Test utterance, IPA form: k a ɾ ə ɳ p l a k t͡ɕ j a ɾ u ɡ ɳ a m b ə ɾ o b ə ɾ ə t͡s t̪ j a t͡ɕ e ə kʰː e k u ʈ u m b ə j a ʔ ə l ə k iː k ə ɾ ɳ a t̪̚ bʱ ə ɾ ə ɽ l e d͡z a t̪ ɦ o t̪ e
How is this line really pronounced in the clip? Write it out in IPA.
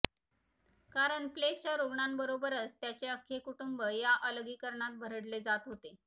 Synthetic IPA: k a ɾ ə ɳ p l e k t͡ɕ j a ɾ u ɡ ɳ a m b ə ɾ o b ə ɾ ə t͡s t̪ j a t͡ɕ e ə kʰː e k u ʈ u m b ə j a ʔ ə l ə ɡ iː k ə ɾ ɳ a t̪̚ bʱ ə ɾ ə ɽ l e d͡z a t̪ ɦ o t̪ e